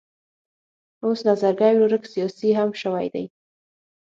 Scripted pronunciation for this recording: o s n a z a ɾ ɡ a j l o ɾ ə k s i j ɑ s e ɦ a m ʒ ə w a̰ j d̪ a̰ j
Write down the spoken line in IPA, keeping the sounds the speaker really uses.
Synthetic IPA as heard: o s n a z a ɾ ɡ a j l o ɾ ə k s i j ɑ s i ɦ a m ʃ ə w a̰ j d̪ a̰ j